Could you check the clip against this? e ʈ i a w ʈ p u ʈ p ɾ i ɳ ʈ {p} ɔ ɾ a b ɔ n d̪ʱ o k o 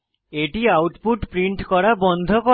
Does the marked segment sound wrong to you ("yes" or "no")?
yes